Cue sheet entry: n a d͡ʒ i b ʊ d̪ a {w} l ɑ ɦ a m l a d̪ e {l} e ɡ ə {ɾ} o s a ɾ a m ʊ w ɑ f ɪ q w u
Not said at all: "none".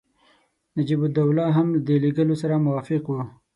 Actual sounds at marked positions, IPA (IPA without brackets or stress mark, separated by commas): w, l, l